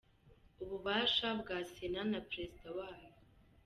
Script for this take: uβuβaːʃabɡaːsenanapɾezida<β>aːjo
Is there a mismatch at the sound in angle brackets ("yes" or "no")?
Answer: yes